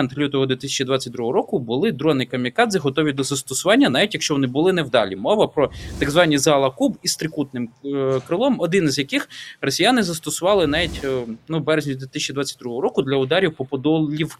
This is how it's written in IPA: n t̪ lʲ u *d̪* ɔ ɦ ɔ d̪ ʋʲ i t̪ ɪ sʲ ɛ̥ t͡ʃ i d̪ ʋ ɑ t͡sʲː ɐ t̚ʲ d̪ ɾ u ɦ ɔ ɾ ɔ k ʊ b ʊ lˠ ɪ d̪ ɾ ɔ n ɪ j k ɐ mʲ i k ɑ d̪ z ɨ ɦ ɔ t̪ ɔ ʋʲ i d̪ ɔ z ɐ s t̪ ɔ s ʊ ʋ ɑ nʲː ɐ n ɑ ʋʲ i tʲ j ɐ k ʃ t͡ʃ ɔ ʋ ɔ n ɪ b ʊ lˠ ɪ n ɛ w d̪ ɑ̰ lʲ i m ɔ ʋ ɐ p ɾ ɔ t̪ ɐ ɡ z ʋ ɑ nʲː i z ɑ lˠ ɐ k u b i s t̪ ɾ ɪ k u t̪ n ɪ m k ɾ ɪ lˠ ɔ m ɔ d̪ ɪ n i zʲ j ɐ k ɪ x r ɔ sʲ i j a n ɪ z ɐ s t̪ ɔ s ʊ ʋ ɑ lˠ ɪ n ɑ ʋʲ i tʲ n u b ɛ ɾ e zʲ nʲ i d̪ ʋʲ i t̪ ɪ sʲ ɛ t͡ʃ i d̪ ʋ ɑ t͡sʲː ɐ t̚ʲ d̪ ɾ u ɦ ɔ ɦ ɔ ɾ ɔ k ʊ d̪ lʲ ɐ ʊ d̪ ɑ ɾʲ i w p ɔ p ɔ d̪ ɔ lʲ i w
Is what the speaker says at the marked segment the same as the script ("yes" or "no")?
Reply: no